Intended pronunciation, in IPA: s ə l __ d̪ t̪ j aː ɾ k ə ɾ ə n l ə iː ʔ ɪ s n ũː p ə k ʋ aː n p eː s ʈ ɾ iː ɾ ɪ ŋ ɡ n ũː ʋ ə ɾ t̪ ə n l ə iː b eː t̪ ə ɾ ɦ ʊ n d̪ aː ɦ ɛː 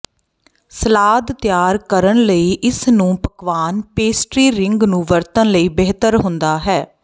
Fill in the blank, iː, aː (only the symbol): aː